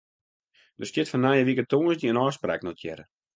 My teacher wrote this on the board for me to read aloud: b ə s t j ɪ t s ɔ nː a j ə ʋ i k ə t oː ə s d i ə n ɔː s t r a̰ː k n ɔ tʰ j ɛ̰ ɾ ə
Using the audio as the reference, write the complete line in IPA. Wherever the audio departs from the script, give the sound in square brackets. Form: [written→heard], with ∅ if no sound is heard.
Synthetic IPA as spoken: [b→d] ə s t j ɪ t [s→f] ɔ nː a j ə ʋ i k ə t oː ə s d i ə n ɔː s [t→p] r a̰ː k n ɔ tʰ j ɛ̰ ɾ ə

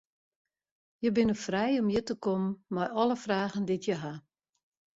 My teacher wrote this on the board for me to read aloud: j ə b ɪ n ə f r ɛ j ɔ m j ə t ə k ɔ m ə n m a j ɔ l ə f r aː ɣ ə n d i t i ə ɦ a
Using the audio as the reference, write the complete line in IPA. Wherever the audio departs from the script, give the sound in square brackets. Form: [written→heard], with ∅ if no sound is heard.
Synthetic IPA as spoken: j ə b ɪ n ə f r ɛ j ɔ m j ə t ə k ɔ m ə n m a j ɔ l ə f r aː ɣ ə n d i t [i→j] ə ɦ a

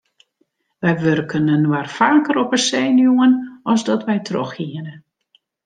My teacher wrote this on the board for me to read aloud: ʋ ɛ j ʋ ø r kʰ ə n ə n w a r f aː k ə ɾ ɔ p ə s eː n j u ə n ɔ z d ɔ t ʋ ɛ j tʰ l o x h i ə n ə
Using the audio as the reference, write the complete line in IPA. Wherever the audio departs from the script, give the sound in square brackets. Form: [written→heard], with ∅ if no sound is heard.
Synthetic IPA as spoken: ʋ ɛ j ʋ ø r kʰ ə n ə n w a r f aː k ə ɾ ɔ p ə s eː n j u ə n ɔ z d ɔ t ʋ ɛ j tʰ [l→r] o x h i ə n ə

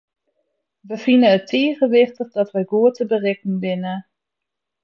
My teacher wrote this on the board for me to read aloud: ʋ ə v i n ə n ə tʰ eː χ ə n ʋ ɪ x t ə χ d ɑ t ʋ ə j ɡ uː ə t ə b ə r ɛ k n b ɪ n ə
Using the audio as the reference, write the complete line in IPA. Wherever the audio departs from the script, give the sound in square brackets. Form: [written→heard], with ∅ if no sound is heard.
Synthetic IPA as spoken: ʋ ə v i n ə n ə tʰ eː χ ə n ʋ ɪ [x→χ] t ə χ d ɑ t ʋ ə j ɡ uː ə t ə b ə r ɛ k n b ɪ n ə

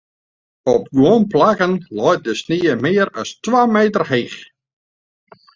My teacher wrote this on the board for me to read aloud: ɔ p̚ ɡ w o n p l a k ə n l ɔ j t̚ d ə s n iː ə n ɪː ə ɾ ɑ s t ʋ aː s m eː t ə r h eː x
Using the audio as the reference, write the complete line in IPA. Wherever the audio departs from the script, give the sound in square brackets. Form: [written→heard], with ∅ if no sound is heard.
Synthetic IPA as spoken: ɔ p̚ ɡ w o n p l a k ə n l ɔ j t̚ d ə s n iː ə [n→m] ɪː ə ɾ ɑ s t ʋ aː [s→∅] m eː t ə r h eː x

